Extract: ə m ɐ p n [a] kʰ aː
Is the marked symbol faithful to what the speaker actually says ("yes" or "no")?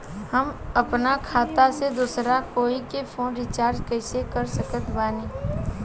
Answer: yes